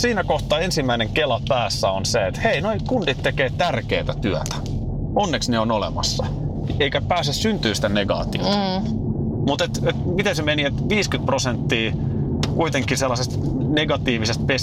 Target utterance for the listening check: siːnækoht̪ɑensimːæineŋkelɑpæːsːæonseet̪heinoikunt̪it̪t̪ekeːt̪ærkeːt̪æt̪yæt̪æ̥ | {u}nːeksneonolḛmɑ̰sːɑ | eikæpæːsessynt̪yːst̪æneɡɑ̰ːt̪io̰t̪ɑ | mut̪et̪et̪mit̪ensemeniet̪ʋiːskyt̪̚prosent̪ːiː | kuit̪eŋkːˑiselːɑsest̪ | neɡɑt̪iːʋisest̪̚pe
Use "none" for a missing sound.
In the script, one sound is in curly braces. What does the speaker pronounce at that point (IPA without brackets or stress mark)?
o